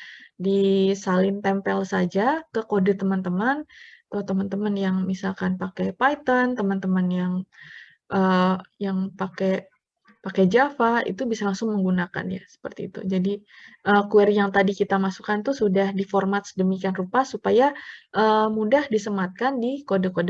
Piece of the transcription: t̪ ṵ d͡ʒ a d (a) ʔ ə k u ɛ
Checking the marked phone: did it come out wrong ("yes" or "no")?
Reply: yes